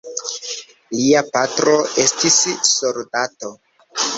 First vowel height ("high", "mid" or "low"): high